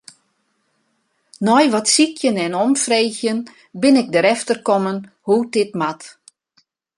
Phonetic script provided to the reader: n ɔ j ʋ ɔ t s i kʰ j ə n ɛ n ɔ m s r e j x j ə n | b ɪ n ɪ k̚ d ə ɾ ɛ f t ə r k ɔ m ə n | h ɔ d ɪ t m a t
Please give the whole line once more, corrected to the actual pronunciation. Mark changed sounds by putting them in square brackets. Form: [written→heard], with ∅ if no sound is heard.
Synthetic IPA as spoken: n ɔ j ʋ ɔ t s i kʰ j ə n ɛ n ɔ m [s→f] r e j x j ə n | b ɪ n ɪ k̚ d ə ɾ ɛ f t ə r k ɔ m ə n | h [ɔ→u] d ɪ t m a t